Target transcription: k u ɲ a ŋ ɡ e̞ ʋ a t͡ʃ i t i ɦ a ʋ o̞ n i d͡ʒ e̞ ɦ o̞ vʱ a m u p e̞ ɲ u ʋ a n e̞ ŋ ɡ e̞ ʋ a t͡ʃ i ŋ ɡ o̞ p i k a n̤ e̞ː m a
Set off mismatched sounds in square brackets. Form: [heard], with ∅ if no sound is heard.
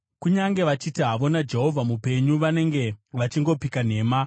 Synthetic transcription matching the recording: k u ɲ a ŋ ɡ e̞ ʋ a t͡ʃ i t i ɦ a ʋ o̞ n [a] d͡ʒ e̞ ɦ o̞ vʱ a m u p e̞ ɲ u ʋ a n e̞ ŋ ɡ e̞ ʋ a t͡ʃ i ŋ ɡ o̞ p i k a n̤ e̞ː m a

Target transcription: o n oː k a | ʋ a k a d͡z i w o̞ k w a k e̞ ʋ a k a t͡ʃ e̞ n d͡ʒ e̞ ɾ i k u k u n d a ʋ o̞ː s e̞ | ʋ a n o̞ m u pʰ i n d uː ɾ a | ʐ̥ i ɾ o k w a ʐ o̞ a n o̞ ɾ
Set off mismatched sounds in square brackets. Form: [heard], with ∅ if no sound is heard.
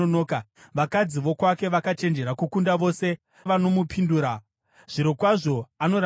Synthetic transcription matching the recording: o n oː k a | ʋ a k a d͡z i [ʋ] o̞ k w a k e̞ ʋ a k a t͡ʃ e̞ n d͡ʒ e̞ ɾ [a] k u k u n d a ʋ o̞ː s e̞ | ʋ a n o̞ m u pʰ i n d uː ɾ a | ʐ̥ i ɾ o k w a ʐ o̞ a n o̞ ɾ

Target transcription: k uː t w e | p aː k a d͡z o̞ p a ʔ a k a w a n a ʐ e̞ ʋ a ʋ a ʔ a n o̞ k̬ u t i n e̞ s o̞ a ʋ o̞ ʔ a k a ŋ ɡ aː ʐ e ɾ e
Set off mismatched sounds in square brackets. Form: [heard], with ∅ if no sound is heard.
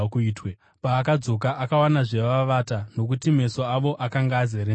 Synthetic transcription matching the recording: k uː t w e | p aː k a d͡z o̞ [k] a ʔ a k a w a n a ʐ e̞ ʋ a ʋ a [t] a n o̞ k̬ u t i [m] e̞ s o̞ a ʋ o̞ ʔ a k a ŋ ɡ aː [z] e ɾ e

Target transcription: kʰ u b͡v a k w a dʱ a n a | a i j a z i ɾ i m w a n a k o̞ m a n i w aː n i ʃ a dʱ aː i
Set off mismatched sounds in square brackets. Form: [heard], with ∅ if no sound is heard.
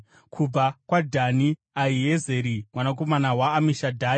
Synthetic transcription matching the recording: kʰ u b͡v a k w a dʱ a n [i] | a i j [e] z [e] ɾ i m w a n a k o̞ m a n [a] w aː [m] i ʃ a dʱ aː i

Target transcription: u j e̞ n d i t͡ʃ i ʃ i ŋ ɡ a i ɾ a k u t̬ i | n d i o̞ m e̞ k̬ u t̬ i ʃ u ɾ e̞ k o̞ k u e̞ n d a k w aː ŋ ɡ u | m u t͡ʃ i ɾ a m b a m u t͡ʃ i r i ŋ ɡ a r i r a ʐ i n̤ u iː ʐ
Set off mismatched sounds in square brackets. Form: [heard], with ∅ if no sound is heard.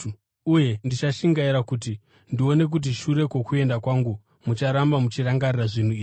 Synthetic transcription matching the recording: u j e̞ n d i t͡ʃ [a] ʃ i ŋ ɡ a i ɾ a k u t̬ i | n d i o̞ [n] e̞ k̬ u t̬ i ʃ u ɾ e̞ k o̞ k u e̞ n d a k w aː ŋ ɡ u | m u t͡ʃ [a] ɾ a m b a m u t͡ʃ i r [a] ŋ ɡ a r i r a ʐ i n̤ u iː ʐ

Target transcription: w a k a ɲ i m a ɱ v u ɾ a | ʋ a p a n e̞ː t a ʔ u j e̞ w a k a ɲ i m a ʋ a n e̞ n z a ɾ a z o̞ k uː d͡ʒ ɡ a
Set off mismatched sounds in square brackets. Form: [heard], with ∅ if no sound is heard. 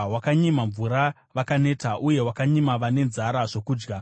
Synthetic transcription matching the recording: w a k a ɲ i m a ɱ v u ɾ a | ʋ a [k] a n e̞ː t a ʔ u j e̞ w a k a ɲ i m a ʋ a n e̞ n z a ɾ a [ʐ] o̞ k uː d͡ʒ ɡ a

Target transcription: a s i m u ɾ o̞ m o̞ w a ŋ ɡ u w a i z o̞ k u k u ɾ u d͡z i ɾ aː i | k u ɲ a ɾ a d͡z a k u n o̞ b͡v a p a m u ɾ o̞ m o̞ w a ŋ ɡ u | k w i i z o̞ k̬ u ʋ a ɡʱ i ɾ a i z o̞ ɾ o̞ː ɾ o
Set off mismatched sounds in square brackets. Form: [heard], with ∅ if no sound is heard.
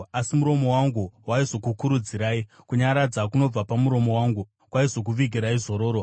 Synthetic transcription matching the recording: a s i m u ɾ o̞ m o̞ w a ŋ ɡ u w a i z o̞ k u k u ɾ u d͡z i ɾ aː i | k u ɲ a ɾ a d͡z a k u n o̞ b͡v a p a m u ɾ o̞ m o̞ w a ŋ ɡ u | k w [a] i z o̞ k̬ u ʋ [i] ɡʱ i ɾ a i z o̞ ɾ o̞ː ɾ o

